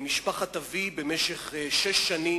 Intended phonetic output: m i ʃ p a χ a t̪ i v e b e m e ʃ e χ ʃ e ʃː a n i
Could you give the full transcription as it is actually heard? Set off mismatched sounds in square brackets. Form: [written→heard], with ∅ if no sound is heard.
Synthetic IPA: m i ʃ p a χ a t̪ [i→a] v [e→i] b e m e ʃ e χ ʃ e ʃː a n i